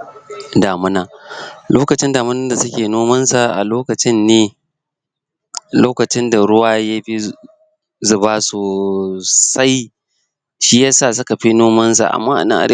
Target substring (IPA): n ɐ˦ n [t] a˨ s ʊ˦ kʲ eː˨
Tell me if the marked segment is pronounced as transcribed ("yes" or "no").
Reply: no